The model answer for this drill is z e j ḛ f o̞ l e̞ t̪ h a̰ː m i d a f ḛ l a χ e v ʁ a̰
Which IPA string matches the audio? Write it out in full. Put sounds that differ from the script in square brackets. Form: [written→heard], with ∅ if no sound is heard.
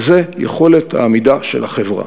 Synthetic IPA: z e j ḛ [f→χ] o̞ l e̞ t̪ h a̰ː m i d a [f→ʃ] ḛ l a χ e v ʁ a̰